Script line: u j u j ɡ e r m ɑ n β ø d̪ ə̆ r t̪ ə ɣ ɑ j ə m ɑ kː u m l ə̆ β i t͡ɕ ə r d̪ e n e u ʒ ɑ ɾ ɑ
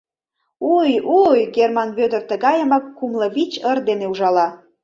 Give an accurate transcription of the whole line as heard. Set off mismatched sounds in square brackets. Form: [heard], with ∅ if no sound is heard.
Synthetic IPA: u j u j ɡ e r m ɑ n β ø d̪ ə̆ r t̪ ə ɣ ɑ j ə m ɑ kː u m l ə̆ β i t͡ɕ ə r d̪ e n e u ʒ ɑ [l] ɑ